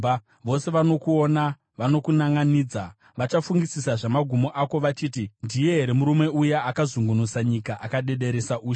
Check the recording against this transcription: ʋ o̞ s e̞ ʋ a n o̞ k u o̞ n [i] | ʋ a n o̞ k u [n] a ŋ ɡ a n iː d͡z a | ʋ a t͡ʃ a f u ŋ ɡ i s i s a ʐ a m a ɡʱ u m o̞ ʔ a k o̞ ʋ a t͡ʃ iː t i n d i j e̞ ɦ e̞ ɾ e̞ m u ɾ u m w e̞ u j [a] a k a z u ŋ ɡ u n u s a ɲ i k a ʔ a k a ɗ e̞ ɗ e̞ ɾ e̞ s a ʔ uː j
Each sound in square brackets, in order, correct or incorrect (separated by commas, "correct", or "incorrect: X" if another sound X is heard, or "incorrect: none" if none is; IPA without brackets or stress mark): incorrect: a, correct, correct